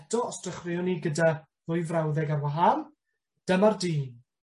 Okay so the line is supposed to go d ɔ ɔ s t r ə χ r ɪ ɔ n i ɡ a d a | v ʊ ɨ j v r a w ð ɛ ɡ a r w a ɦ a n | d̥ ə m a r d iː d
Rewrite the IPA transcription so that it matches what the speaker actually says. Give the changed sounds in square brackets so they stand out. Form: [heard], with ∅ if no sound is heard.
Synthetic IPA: d ɔ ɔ s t r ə χ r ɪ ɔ n i ɡ [ə] d a | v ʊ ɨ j v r a w ð ɛ ɡ a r w a ɦ a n | d̥ ə m a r d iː [n]